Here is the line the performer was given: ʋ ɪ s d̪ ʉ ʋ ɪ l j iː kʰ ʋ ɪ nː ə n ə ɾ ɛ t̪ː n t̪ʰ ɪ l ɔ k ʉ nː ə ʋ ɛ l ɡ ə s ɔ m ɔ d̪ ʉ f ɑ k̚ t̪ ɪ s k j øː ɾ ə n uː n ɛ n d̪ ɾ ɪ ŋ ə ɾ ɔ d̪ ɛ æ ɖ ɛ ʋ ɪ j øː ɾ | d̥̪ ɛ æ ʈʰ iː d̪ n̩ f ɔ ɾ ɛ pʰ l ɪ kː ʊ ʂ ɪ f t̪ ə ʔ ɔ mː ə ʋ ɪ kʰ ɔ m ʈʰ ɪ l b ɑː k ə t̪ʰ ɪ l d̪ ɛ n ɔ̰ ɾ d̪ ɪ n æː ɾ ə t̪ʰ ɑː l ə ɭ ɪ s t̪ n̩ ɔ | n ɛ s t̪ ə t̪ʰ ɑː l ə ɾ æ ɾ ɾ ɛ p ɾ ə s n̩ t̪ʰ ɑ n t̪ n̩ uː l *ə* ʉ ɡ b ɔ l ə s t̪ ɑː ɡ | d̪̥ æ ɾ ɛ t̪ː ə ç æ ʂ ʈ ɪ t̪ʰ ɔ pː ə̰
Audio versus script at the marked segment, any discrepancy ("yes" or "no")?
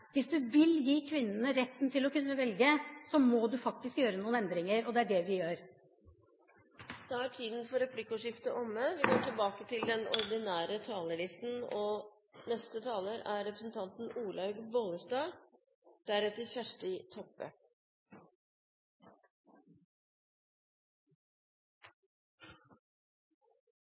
yes